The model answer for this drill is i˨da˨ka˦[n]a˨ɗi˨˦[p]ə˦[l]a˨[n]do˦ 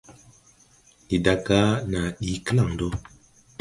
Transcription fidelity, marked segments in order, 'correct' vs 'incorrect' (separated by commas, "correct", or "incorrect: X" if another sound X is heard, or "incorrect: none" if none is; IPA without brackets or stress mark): correct, incorrect: k, correct, incorrect: ŋ